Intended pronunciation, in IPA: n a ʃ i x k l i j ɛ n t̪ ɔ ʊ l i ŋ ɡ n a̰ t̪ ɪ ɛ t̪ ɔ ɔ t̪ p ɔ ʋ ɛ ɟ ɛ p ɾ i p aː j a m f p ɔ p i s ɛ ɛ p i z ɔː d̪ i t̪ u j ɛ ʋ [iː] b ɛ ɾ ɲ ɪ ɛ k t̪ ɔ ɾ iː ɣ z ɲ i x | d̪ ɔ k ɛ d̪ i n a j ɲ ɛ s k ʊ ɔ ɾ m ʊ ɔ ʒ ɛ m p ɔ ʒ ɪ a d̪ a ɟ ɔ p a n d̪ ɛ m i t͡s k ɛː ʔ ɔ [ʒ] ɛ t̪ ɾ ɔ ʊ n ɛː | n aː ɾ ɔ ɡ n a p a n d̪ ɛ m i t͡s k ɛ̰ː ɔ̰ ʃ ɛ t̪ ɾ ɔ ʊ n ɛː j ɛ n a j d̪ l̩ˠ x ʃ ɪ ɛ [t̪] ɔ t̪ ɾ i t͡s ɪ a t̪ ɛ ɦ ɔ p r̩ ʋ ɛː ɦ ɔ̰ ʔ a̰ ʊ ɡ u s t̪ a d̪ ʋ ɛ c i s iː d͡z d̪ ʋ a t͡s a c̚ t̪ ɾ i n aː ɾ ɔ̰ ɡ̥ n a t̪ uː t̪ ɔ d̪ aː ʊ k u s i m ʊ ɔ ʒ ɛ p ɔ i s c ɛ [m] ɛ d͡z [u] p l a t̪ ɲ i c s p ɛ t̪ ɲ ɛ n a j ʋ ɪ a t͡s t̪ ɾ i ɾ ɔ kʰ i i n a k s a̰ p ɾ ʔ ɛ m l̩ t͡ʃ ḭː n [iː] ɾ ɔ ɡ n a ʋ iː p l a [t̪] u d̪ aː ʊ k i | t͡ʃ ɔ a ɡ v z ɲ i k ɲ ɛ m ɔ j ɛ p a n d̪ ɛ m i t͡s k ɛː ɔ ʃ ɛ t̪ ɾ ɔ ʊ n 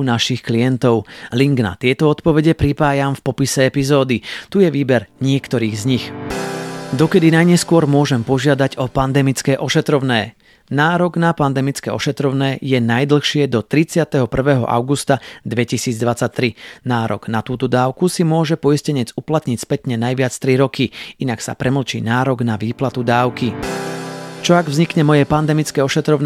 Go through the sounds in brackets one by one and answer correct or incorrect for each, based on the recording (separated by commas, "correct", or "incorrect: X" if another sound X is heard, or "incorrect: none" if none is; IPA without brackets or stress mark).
correct, incorrect: ʃ, incorrect: d̪, incorrect: ɲ, correct, incorrect: aː, correct